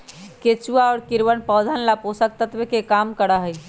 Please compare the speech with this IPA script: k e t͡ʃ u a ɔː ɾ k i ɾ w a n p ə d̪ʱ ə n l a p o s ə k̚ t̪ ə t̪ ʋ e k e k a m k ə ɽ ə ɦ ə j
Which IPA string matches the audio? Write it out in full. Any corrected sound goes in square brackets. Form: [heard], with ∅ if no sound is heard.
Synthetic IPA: k e t͡ʃ u a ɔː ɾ k i ɾ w [ə] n p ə d̪ʱ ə n l a p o s ə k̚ t̪ ə t̪ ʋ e k e k a m k ə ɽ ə ɦ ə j

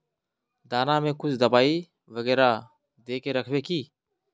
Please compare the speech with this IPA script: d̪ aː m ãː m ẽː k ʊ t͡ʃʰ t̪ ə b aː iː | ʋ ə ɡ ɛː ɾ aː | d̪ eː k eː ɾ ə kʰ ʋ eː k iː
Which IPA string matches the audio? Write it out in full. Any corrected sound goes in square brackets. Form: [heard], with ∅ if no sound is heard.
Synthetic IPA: d̪ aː [n] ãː m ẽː k ʊ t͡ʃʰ [d̪] ə b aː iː | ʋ ə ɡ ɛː ɾ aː | d̪ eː k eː ɾ ə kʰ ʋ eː k iː

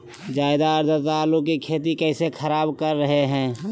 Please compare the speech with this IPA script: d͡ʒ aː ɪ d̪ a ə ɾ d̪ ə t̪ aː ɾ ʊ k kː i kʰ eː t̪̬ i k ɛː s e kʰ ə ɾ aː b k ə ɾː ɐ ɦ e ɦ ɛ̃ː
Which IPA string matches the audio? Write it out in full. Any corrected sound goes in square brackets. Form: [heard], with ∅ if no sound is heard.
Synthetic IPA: d͡ʒ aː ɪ d̪ a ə ɾ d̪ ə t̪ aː [l] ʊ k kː i kʰ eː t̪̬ i k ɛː s e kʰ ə ɾ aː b k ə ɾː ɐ ɦ e ɦ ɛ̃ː

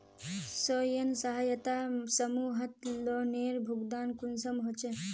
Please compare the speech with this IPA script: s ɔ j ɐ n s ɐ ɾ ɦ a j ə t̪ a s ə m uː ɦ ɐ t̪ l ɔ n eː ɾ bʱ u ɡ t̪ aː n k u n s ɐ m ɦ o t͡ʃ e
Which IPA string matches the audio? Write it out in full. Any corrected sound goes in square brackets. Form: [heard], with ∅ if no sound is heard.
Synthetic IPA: s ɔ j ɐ n s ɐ [∅] ɦ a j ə t̪ a s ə m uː ɦ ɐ t̪ l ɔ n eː ɾ bʱ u ɡ [d̪] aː n k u n s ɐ m ɦ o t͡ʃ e

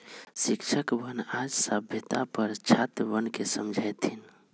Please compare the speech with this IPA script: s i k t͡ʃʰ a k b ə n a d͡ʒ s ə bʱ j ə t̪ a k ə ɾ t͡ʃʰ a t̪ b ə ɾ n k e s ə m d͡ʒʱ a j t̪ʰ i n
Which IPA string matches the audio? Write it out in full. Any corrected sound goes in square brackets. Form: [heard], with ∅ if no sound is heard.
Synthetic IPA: s i k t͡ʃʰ [ə] k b ə n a d͡ʒ s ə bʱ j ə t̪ a [p] ə ɾ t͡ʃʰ a t̪ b ə [∅] n k e s ə m d͡ʒʱ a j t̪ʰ i n

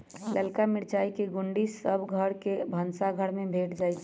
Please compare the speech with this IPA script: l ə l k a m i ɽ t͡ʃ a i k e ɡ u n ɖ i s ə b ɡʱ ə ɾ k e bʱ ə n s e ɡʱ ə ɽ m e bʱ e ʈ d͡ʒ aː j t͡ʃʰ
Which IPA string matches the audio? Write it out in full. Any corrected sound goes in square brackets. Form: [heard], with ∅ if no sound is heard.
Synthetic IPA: l ə l k a m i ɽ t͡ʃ a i k e ɡ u [ɳ] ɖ i s ə b ɡʱ ə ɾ k e bʱ ə n s [a] ɡʱ ə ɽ m e bʱ e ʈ d͡ʒ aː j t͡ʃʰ

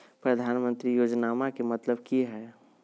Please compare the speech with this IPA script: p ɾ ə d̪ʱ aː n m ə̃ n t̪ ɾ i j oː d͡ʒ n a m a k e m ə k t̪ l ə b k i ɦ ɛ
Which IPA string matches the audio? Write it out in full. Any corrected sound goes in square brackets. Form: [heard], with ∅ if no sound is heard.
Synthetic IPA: p ɾ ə d̪ʱ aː n m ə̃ n t̪ ɾ i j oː d͡ʒ n a m a k e m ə [∅] t̪ l ə b k i ɦ ɛ

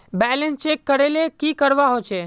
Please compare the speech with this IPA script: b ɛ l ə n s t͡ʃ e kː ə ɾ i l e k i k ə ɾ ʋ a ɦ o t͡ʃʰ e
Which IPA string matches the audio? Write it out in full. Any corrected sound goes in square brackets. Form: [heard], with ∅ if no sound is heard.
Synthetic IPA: b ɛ l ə n s t͡ʃ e kː ə ɾ [e] l e k i k ə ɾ ʋ a ɦ o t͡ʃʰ e

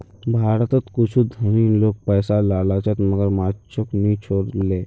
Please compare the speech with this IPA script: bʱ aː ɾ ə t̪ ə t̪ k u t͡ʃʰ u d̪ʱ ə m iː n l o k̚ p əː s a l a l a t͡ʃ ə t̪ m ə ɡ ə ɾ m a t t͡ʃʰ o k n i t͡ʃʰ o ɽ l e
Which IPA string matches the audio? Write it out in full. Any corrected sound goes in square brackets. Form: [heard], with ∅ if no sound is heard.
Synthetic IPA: bʱ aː ɾ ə t̪ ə t̪ k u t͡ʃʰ u d̪ʱ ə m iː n l o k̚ p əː s a l a l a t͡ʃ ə t̪ m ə ɡ ə ɾ m a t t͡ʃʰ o k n i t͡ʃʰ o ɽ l e

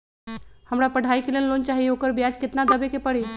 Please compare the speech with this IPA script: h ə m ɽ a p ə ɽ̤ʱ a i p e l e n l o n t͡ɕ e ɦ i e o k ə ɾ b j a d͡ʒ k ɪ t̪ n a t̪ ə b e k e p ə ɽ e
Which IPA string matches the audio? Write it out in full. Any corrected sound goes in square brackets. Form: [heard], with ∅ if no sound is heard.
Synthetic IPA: h ə m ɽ a p ə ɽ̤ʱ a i [k] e l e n l o n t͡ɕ [a] ɦ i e o k ə ɾ b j a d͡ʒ k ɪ t̪ n a [d̪] ə b e k e p ə ɽ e

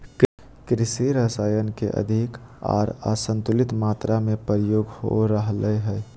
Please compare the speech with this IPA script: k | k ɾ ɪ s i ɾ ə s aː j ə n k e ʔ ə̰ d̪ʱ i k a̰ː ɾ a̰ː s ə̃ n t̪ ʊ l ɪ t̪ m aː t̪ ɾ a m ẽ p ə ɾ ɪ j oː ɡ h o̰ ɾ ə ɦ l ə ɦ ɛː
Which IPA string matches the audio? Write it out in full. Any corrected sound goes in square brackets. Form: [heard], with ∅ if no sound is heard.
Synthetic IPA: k | k ɾ ɪ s i ɾ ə s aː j ə n k e ʔ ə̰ d̪ʱ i k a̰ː ɾ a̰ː s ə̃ n t̪ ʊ l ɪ t̪ m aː t̪ ɾ a m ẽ p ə ɾ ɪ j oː ɡ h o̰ ɾ ə ɦ l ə ɦ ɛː

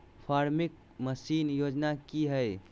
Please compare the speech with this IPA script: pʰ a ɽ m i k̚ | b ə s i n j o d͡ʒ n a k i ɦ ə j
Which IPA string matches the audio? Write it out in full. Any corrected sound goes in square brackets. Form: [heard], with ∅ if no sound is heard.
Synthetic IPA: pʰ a [ɾ] m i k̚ | [m] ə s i n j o d͡ʒ n a k i ɦ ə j

